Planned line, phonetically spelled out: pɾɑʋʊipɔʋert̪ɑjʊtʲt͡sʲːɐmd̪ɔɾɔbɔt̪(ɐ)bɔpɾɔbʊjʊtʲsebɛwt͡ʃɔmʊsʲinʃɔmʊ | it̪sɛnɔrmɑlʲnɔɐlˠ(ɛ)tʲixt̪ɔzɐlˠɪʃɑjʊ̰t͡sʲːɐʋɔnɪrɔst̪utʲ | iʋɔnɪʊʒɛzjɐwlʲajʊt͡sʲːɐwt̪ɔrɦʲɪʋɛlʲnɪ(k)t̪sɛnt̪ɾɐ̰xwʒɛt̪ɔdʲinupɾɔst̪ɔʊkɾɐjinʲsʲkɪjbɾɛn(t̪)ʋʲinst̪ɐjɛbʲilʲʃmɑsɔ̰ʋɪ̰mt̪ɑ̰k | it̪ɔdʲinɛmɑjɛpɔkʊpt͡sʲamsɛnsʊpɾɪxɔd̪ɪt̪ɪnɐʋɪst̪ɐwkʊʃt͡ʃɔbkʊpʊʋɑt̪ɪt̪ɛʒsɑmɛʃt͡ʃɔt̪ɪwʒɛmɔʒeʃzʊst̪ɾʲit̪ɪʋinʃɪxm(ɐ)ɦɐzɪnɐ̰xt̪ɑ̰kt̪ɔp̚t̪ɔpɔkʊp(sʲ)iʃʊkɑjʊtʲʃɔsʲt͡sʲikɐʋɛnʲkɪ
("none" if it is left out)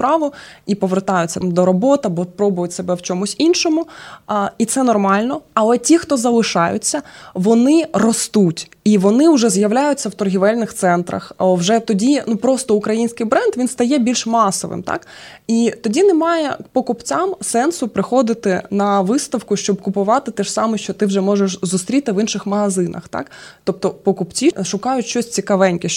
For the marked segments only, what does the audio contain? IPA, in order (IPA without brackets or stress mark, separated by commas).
ɐ, ɛ, x, d̪, ɐ, t͡sʲ